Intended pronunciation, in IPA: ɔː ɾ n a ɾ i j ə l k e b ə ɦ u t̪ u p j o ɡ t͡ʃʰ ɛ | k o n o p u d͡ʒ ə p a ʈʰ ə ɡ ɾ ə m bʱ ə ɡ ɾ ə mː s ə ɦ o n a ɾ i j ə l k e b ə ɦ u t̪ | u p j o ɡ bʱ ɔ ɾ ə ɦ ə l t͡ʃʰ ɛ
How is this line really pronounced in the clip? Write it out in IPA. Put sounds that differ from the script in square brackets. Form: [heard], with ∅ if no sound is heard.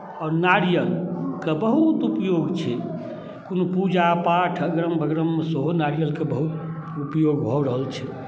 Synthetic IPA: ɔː ɾ n a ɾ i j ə l k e b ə ɦ u t̪ u p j o ɡ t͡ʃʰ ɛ | k o n o p u d͡ʒ [a] p a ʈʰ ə ɡ ɾ ə m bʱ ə ɡ ɾ ə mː s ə ɦ o n a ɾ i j ə l k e b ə ɦ u t̪ | u p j o ɡ bʱ ɔ ɾ ə ɦ ə l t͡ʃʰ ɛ